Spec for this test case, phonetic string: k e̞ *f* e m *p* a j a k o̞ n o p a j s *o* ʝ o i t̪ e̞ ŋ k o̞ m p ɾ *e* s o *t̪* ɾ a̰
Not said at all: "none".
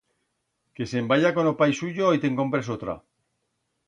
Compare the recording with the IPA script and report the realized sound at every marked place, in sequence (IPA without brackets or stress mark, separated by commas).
s, b, u, e, t̪